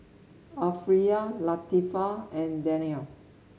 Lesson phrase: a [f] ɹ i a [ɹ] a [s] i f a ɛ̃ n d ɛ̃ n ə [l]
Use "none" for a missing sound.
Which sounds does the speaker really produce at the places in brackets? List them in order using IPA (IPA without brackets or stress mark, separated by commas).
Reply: f, l, t, l